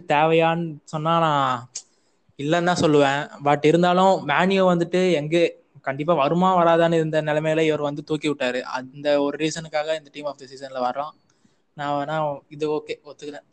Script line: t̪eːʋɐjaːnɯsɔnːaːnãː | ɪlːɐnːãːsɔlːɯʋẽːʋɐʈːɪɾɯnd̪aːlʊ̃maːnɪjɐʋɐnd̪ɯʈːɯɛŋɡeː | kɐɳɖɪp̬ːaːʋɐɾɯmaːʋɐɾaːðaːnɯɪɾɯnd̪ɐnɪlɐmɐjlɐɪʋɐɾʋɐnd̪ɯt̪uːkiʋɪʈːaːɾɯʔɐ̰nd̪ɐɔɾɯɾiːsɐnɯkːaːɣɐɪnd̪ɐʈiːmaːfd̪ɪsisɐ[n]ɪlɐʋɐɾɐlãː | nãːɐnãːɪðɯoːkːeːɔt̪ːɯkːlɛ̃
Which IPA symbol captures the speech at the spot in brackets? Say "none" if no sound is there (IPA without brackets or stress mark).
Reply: n